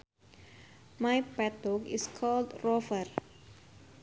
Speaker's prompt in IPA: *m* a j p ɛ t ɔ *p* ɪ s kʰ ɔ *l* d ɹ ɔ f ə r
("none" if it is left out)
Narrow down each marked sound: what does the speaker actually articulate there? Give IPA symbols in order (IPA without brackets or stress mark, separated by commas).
m, k, l